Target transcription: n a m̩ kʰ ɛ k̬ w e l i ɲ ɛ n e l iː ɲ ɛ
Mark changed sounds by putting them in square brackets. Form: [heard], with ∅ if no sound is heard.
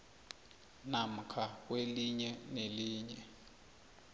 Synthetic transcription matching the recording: n a m̩ kʰ [a] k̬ w e l i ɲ ɛ n e l iː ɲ ɛ